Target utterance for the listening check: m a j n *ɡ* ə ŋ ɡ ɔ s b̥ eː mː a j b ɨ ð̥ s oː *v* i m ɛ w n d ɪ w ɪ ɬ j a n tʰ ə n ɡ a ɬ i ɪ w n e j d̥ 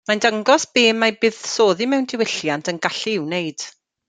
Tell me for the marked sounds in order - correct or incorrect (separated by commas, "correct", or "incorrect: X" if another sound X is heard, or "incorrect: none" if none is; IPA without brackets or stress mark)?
incorrect: d, incorrect: ð